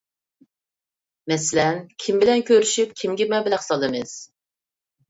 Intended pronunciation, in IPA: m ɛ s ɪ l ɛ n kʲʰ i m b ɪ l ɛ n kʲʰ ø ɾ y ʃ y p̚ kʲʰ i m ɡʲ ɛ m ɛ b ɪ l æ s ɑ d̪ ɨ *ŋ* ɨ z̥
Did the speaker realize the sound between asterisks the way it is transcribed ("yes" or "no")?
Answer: no